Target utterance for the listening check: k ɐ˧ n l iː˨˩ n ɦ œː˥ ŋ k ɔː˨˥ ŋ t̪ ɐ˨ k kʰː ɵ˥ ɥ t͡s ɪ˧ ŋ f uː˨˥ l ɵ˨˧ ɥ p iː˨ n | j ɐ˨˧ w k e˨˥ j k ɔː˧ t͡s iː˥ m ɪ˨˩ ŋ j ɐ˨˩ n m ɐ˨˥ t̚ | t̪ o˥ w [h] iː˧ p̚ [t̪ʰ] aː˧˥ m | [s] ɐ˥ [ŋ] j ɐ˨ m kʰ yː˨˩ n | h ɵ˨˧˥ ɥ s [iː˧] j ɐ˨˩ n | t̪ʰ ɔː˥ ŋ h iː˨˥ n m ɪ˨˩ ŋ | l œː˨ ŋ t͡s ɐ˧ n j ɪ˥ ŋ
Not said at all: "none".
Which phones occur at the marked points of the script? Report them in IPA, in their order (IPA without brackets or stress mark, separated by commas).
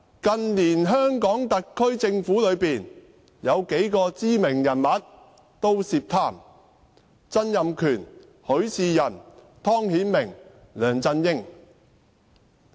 s, t̪ʰ, t͡s, n, iː˧